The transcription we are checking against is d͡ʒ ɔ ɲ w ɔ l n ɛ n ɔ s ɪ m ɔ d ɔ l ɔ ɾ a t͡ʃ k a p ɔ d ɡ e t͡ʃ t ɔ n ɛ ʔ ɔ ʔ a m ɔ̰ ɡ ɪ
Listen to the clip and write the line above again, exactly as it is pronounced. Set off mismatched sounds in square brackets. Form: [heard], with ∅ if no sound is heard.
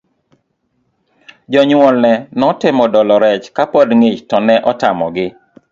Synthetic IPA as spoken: d͡ʒ ɔ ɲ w ɔ l n ɛ n ɔ [t] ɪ m ɔ d ɔ l ɔ ɾ [ɛ] t͡ʃ k a p ɔ d [ŋ] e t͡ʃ t ɔ n ɛ ʔ ɔ [t] a m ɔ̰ ɡ ɪ

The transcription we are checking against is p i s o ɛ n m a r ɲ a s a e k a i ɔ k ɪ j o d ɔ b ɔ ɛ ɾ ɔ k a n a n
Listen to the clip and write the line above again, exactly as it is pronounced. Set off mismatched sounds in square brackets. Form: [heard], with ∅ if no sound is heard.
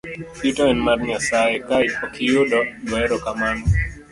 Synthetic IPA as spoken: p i [t] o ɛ n m a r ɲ a s a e k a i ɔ k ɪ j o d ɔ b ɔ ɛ ɾ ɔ k a [m] a n

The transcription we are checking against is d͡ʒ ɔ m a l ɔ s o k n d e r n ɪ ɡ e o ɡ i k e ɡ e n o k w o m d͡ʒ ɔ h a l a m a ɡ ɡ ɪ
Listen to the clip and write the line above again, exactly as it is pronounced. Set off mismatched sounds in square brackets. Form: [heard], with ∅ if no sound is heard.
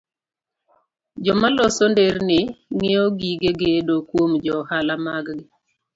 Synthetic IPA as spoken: d͡ʒ ɔ m a l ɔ s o [∅] n d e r n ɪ [ŋ] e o ɡ i [ɡ] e ɡ e [d] o k w o m d͡ʒ ɔ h a l a m a ɡ ɡ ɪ

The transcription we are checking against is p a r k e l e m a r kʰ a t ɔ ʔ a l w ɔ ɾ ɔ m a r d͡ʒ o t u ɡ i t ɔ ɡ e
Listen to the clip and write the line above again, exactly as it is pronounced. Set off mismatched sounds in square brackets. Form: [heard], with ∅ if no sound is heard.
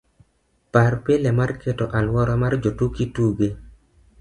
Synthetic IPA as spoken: p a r [p] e l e m a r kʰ [e] t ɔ ʔ a l w ɔ ɾ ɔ m a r d͡ʒ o t u [k] i t [u] ɡ e

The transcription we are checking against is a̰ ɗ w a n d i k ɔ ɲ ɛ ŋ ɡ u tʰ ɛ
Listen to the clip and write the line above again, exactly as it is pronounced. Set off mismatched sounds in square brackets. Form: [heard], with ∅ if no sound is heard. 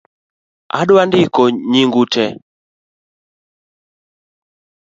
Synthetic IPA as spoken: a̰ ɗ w a n d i k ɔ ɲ [i] ŋ ɡ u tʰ ɛ

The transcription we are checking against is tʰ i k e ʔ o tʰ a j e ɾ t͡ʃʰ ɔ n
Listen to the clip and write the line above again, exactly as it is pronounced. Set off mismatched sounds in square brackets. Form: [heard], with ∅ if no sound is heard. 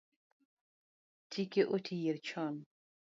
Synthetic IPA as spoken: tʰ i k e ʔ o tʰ [i] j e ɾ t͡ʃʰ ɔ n

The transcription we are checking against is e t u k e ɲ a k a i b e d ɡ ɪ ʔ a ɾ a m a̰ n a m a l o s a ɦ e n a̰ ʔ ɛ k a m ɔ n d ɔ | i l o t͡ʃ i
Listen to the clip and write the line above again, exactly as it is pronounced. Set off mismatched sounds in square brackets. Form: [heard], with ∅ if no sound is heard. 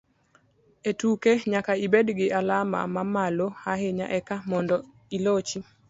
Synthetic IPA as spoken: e t u k e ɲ a k a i b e d ɡ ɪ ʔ a [l] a m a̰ [m] a m a l o [h] a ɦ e [ɲ] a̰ ʔ ɛ k a m ɔ n d ɔ | i l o t͡ʃ i

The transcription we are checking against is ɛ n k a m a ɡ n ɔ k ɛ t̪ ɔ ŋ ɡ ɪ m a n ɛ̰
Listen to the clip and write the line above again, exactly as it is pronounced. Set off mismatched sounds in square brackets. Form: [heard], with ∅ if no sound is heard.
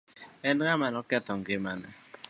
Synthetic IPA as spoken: ɛ n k a m a [∅] n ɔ k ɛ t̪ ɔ ŋ ɡ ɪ m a n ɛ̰

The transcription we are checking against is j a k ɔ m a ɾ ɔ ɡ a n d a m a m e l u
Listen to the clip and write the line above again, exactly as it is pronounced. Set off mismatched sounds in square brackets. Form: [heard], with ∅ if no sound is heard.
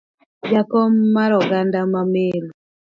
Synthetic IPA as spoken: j a k ɔ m a ɾ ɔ ɡ a n d a m a m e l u

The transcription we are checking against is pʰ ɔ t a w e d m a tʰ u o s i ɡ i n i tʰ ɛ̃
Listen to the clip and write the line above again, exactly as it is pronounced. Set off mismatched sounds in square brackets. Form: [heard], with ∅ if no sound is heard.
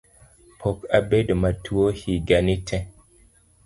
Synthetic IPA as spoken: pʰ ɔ [k] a [b] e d m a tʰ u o [h] i ɡ [a] n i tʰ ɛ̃

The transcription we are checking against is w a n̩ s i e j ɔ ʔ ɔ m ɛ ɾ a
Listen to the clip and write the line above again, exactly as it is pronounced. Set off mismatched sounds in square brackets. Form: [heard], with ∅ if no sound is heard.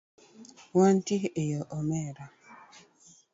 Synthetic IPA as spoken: w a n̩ [t] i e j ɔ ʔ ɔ m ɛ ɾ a

